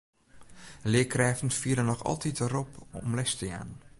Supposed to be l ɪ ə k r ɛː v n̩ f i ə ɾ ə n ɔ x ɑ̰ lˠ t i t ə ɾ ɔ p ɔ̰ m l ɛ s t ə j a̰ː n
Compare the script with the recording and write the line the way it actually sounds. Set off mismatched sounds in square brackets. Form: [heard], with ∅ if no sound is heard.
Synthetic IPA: l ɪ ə k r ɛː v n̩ f i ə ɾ ə n ɔ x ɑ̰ lˠ t i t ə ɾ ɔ p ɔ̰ m l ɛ s t ə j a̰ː n